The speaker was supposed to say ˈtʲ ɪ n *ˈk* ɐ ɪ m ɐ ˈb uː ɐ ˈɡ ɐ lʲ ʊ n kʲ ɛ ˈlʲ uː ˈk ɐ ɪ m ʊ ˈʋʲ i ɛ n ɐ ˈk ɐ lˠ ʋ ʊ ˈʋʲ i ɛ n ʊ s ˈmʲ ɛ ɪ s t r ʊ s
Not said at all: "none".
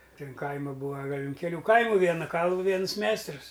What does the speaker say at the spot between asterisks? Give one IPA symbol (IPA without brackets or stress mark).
k